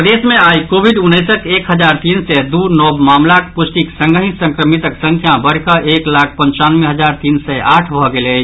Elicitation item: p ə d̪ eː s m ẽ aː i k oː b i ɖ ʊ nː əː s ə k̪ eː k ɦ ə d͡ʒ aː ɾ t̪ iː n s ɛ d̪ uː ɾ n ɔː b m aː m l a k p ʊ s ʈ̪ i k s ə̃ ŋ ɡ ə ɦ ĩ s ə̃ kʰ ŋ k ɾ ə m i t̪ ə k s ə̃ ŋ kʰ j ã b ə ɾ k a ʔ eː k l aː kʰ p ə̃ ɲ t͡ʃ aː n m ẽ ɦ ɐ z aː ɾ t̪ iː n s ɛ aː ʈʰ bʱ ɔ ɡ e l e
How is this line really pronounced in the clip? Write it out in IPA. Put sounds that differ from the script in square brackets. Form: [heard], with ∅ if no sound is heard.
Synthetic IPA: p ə d̪ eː s m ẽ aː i k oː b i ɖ ʊ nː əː s ə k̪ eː k ɦ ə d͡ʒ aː ɾ t̪ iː n s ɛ d̪ uː ɾ n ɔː b m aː m l a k p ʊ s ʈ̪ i k s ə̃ ŋ ɡ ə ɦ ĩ s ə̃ [∅] ŋ k ɾ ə m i t̪ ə k s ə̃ ŋ kʰ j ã b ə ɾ k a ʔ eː k l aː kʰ p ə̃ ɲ t͡ʃ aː n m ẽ ɦ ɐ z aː ɾ t̪ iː n s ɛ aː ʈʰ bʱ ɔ ɡ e l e